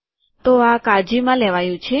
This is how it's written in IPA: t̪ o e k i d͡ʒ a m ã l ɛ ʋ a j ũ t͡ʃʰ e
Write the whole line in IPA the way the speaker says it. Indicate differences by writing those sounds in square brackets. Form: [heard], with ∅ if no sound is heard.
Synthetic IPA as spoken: t̪ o [a] k [a] d͡ʒ [i] m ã l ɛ ʋ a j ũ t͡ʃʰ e